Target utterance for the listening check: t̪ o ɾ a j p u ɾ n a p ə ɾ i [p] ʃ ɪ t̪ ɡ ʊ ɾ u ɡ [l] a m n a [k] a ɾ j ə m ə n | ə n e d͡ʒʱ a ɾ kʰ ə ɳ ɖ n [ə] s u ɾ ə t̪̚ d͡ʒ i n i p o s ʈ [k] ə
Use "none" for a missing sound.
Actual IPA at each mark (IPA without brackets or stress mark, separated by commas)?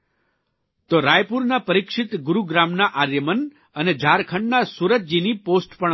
k, ɾ, ʔ, a, p